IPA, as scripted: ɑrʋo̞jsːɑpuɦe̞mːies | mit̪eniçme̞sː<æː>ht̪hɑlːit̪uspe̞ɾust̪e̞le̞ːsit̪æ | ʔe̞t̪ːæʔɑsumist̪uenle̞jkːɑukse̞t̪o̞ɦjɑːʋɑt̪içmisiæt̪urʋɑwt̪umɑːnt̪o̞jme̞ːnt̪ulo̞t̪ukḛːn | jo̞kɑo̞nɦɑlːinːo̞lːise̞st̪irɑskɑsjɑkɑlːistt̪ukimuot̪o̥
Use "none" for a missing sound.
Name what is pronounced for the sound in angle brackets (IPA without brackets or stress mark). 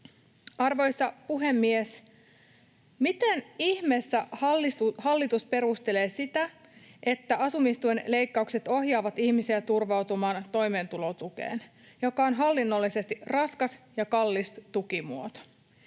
æ